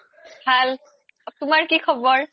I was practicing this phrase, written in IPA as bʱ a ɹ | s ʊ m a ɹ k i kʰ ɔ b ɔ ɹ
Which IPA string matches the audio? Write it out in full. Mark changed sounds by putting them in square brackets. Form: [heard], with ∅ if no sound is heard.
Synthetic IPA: bʱ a [l] | [t] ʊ m a ɹ k i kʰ ɔ b ɔ ɹ